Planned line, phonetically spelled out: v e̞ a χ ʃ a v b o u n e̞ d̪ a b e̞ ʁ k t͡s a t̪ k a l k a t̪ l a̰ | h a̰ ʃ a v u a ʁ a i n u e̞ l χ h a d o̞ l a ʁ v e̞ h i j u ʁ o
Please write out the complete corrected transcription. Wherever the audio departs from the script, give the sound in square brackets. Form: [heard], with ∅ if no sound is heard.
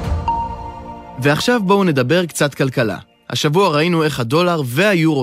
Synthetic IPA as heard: v e̞ a χ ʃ a v b o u n e̞ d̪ a b e̞ ʁ k t͡s a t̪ k a l k a [∅] l a̰ | h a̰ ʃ a v u a ʁ a i n u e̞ [∅] χ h a d o̞ l a ʁ v e̞ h [a] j u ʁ o